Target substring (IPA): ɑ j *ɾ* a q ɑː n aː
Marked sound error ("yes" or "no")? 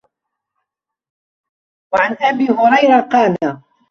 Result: no